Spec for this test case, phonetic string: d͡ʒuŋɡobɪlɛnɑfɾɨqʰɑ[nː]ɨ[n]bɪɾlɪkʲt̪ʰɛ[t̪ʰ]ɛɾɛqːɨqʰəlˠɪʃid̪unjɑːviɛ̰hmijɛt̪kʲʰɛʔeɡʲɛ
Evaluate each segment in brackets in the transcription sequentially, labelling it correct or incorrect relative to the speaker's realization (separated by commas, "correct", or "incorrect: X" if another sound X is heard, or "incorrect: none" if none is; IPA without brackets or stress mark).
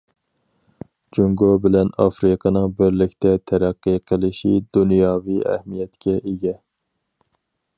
incorrect: n, incorrect: ŋ, correct